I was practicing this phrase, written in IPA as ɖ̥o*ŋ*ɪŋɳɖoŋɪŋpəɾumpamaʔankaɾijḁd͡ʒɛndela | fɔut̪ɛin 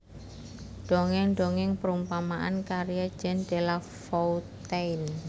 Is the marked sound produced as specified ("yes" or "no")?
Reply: yes